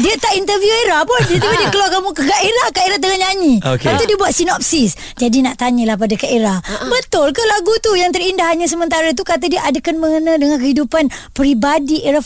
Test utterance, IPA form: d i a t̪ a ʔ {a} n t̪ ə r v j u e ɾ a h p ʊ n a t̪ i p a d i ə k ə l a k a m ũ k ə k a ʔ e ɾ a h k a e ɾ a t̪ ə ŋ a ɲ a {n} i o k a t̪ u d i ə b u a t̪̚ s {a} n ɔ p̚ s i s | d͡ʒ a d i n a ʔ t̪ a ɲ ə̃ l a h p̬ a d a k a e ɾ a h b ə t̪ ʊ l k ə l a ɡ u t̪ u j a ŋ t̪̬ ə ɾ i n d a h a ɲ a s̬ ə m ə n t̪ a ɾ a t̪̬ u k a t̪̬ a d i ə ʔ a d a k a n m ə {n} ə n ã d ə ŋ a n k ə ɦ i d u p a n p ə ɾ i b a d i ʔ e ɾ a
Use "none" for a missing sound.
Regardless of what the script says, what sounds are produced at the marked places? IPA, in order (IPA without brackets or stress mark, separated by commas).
i, ɲ, i, ŋ